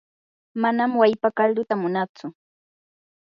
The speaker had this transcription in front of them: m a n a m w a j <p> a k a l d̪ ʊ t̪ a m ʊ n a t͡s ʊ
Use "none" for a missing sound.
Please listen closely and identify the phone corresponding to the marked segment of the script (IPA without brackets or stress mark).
p